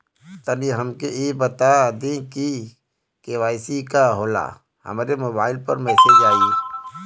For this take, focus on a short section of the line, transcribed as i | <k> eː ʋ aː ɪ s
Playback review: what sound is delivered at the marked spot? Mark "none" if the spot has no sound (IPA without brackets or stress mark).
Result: k